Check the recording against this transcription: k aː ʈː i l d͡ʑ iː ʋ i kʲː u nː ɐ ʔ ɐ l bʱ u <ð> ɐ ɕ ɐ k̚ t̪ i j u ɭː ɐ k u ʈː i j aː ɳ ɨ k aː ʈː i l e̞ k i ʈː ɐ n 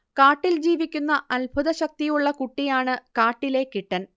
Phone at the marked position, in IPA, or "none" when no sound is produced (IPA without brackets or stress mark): ð